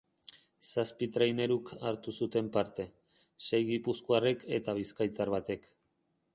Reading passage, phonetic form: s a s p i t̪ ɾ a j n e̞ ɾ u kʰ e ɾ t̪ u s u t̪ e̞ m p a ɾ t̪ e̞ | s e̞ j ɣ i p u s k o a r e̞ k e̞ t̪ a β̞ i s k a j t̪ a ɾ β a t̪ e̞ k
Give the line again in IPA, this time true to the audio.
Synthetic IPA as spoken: s a s p i t̪ ɾ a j n e̞ ɾ u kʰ a ɾ t̪ u s u t̪ e̞ m p a ɾ t̪ e̞ | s e̞ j ɣ i p u s k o a r e̞ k e̞ t̪ a β̞ i s k a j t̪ a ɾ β a t̪ e̞ k